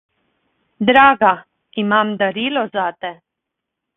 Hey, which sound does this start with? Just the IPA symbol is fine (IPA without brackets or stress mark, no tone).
d̪